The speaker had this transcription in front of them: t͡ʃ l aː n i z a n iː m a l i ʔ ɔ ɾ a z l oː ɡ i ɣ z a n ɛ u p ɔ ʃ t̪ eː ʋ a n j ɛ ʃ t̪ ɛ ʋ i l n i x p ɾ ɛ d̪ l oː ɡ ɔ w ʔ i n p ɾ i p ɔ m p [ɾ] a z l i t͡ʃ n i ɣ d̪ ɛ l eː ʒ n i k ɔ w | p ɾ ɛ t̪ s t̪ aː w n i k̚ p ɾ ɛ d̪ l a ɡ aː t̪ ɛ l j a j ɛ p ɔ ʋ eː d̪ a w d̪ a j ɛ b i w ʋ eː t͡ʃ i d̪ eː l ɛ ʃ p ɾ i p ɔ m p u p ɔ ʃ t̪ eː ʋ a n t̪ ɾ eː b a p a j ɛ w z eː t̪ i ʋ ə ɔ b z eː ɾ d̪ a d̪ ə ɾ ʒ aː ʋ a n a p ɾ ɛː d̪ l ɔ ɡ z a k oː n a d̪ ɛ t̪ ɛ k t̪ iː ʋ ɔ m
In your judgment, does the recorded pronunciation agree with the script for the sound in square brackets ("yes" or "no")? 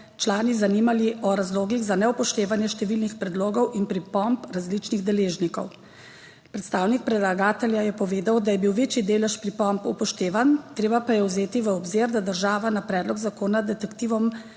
yes